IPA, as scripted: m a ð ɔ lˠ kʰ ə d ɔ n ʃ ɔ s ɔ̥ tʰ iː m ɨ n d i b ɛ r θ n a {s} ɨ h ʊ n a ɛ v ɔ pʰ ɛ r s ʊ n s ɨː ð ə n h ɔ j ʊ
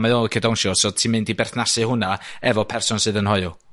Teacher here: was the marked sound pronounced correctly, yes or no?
yes